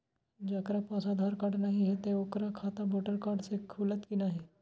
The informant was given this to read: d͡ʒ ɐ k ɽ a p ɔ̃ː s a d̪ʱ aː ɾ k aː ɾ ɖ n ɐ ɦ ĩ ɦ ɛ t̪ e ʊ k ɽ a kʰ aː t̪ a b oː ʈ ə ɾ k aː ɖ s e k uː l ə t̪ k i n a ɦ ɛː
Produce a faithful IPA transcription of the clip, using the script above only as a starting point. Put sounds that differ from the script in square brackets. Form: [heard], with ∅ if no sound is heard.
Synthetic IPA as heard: d͡ʒ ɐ k [ɾ] a p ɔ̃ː s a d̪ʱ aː ɾ k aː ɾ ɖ n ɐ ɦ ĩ ɦ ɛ t̪ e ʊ k [ɾ] a kʰ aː t̪ a b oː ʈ ə ɾ k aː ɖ s e [kʰ] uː l ə t̪ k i n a ɦ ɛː

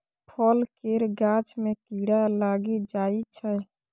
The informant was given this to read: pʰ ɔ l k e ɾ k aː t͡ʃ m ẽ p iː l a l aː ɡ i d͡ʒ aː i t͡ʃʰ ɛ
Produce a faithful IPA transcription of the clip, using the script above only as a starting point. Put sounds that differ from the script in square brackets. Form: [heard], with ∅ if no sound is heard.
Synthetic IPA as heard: pʰ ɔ l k e ɾ [ɡ] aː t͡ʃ m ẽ [k] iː [ɽ] a l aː ɡ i d͡ʒ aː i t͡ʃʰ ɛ

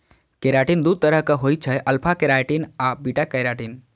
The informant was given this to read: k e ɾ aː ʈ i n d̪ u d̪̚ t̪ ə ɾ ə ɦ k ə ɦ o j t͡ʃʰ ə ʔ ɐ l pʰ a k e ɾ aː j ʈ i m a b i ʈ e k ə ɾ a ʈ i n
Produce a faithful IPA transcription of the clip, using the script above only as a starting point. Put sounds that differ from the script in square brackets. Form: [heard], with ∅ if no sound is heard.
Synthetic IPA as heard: k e ɾ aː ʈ i n d̪ u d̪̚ t̪ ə ɾ ə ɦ k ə ɦ o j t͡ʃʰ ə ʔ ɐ l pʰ a k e ɾ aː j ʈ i [n] a b i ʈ [a] k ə ɾ a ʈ i n

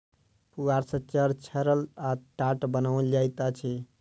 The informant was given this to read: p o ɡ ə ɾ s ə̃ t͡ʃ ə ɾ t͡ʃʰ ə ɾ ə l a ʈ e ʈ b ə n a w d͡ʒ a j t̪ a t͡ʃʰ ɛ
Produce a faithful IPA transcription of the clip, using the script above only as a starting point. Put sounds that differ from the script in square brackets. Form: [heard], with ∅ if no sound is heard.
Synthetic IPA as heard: p [u] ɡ [a] ɾ s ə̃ t͡ʃ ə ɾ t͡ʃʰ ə ɾ ə l a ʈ [a] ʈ b ə n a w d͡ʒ a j t̪ a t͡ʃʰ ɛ

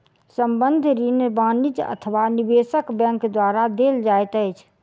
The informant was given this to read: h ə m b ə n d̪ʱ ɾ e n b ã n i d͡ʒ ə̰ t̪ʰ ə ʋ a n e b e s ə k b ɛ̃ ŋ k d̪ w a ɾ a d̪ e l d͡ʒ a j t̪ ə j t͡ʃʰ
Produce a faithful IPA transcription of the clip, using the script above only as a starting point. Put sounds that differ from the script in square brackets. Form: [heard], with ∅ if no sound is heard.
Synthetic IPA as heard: [s] ə m b ə n d̪ʱ ɾ [i] n b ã n i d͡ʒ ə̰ t̪ʰ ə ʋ a n [i] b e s ə k b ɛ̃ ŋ k d̪ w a ɾ a d̪ e l d͡ʒ a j t̪ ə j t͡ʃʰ

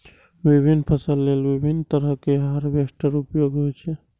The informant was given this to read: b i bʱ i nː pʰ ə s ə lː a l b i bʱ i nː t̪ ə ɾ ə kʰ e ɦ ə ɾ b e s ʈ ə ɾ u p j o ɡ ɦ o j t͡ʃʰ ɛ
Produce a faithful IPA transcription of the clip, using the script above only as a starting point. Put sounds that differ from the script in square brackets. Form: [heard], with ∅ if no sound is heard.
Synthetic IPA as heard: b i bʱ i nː pʰ ə s ə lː [e] l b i bʱ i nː t̪ ə ɾ ə [k] e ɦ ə ɾ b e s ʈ ə ɾ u p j o ɡ ɦ o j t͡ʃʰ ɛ

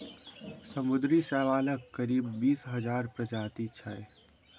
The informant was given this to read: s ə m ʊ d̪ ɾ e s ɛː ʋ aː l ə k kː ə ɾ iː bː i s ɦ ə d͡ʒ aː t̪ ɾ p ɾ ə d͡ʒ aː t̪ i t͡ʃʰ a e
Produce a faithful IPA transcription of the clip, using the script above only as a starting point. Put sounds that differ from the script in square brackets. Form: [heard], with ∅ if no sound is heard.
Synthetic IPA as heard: s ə m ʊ d̪ ɾ [i] s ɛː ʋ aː l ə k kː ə ɾ iː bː [iː] s ɦ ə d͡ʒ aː [∅] ɾ p ɾ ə d͡ʒ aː t̪ i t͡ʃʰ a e

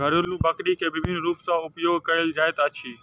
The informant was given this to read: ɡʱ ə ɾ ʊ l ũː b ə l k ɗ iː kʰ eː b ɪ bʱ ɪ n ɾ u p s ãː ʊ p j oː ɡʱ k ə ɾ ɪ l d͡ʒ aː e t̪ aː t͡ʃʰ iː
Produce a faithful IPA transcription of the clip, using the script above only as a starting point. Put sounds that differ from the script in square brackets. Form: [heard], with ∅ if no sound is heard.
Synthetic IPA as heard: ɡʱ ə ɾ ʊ l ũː b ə [∅] k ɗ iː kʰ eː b ɪ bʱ ɪ n ɾ [uː] p s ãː ʊ p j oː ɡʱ k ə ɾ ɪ l d͡ʒ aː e t̪ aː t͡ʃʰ iː

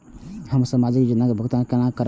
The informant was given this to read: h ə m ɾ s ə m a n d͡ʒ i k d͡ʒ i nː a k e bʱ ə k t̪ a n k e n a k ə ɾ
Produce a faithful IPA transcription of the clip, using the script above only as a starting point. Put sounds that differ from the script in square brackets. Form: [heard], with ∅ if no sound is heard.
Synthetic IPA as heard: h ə m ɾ s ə m a [∅] d͡ʒ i k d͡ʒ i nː a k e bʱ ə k t̪ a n k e n a k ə ɾ

